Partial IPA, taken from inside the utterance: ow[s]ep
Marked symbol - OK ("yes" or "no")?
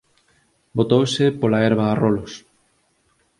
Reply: yes